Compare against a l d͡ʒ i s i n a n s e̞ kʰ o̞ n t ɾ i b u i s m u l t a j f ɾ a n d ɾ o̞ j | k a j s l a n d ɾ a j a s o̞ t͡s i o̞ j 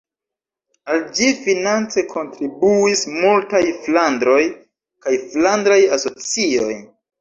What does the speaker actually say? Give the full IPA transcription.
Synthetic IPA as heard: a l d͡ʒ i f i n a n t͡s e̞ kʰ o̞ n t ɾ i b u i s m u l t a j f l a n d ɾ o̞ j | k a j f l a n d ɾ a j a s o̞ t͡s i o̞ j

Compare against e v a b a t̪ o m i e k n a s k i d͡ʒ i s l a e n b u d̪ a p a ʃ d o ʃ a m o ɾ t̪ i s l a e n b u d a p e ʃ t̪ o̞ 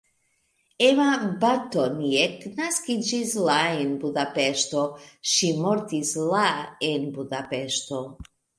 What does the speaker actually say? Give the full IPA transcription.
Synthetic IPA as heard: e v a b a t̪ o n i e k n a s k i d͡ʒ i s l a e n b u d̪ a p e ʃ t o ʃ i m o ɾ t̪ i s l a e n b u d a p e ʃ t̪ o̞

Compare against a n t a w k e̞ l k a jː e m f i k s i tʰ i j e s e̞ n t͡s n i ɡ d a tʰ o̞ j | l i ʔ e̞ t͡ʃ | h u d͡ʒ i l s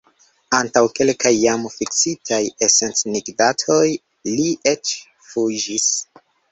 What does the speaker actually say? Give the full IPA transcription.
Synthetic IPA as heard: a n t a w k e̞ l k a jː a m f i k s i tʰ a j e s e̞ n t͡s n i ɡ d a tʰ o̞ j | l i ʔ e̞ t͡ʃ | f u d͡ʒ i s

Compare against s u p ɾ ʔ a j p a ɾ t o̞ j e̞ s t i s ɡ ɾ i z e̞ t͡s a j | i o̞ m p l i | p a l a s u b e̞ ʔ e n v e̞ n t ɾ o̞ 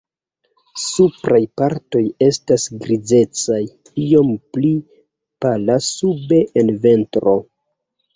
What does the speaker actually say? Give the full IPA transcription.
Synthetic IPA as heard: s u p ɾ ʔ a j p a ɾ t o̞ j e̞ s t a s ɡ ɾ i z e̞ t͡s a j | i o̞ m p l i | p a l a s u b e̞ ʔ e n v e̞ n t ɾ o̞

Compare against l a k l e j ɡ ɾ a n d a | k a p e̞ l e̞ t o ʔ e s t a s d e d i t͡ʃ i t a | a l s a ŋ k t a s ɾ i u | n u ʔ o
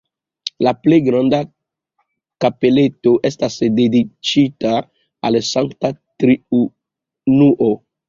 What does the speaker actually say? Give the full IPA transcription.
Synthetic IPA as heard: l a p l e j ɡ ɾ a n d a | k a p e̞ l e̞ t o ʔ e s t a s d e d i t͡ʃ i t a | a l s a ŋ k t a t ɾ i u | n u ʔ o

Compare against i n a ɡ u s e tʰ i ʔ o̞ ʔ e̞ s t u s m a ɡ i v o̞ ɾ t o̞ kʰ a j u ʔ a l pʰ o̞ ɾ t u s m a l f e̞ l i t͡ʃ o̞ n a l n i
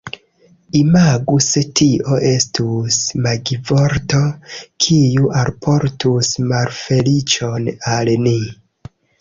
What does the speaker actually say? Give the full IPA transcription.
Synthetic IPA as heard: i m a ɡ u s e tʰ i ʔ o̞ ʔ e̞ s t u s m a ɡ i v o̞ ɾ t o̞ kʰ i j u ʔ a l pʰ o̞ ɾ t u s m a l f e̞ l i t͡ʃ o̞ n a l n i

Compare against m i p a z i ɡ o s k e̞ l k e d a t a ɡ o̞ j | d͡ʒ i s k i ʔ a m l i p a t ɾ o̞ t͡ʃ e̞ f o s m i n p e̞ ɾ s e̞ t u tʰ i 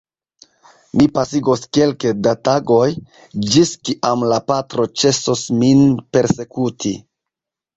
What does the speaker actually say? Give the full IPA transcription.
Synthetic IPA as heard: m i p a s i ɡ o s k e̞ l k e d a t a ɡ o̞ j | d͡ʒ i s k i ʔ a m l a p a t ɾ o̞ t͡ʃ e̞ s o s m i n p e̞ ɾ s e̞ k u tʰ i

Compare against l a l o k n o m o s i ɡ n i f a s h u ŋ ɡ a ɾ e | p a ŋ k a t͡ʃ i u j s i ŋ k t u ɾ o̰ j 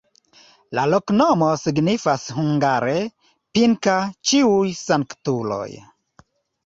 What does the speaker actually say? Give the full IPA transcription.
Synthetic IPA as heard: l a l o k n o m o s i ɡ n i f a s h u ŋ ɡ a ɾ e | p i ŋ k a t͡ʃ i u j s a ŋ k t u l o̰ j

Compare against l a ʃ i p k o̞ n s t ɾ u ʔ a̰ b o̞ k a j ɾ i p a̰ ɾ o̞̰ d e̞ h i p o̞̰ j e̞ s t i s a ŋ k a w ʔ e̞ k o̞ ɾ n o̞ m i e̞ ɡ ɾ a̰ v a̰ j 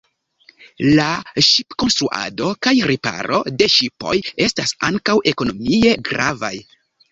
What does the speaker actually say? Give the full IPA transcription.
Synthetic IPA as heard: l a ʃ i p k o̞ n s t ɾ u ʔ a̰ d o̞ k a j ɾ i p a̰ ɾ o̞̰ d e̞ ʃ i p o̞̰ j e̞ s t a s a ŋ k a w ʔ e̞ k o̞ n o̞ m i e̞ ɡ ɾ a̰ v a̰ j

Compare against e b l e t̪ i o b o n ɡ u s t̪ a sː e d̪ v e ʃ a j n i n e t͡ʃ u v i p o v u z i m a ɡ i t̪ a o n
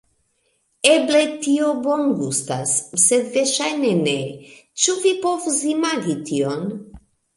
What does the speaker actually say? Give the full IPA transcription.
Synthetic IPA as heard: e b l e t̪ i o b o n ɡ u s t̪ a sː e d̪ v e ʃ a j n e n e t͡ʃ u v i p o v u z i m a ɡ i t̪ i o n

